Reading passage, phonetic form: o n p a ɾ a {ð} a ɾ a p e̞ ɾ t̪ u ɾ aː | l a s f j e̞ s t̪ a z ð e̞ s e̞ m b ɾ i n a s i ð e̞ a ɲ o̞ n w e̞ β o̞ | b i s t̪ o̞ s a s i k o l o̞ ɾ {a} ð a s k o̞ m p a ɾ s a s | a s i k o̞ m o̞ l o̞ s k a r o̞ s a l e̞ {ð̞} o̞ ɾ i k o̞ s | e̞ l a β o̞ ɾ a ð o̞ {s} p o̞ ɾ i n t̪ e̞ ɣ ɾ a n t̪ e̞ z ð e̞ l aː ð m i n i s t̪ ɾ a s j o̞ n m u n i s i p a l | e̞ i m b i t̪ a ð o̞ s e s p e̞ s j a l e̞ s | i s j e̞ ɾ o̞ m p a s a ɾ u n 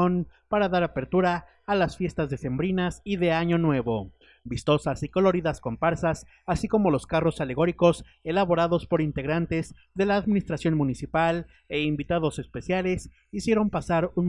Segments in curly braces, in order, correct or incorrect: correct, incorrect: i, incorrect: ɣ̞, correct

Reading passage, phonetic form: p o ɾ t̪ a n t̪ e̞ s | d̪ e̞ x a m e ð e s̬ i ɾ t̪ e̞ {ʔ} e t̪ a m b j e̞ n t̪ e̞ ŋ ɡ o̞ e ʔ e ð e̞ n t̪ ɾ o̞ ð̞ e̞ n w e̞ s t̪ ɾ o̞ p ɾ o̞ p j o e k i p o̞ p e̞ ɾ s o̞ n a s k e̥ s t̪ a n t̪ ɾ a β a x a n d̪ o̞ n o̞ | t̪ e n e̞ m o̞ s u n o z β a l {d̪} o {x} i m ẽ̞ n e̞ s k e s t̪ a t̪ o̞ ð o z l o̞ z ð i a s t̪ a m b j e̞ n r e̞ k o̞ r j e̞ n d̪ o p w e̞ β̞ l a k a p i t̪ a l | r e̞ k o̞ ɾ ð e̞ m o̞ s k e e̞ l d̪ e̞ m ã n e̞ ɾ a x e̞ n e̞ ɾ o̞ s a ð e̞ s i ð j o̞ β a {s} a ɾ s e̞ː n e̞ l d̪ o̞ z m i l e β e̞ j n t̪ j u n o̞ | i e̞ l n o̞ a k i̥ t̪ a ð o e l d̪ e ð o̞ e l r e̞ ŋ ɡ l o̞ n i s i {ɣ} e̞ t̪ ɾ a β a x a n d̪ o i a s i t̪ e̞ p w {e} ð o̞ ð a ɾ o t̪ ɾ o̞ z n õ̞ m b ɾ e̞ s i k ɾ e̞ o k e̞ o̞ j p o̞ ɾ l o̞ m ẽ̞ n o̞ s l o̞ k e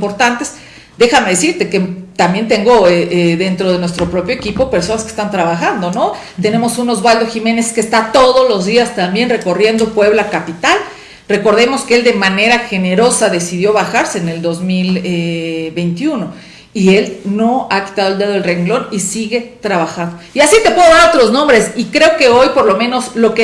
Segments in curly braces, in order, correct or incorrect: incorrect: k, correct, correct, incorrect: x, correct, correct

